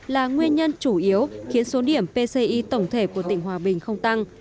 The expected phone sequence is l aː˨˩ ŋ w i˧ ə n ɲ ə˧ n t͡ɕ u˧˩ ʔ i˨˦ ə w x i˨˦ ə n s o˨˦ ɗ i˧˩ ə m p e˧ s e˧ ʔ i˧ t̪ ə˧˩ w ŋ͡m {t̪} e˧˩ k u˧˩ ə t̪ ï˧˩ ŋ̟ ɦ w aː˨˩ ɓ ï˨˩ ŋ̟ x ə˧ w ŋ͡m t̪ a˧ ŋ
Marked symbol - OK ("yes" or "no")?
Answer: no